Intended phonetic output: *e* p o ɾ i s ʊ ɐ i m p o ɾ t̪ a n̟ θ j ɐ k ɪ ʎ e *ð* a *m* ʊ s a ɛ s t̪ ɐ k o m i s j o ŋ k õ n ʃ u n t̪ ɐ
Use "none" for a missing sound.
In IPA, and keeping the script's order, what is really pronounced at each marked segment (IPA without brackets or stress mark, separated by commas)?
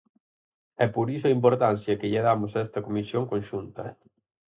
ɛ, ð, m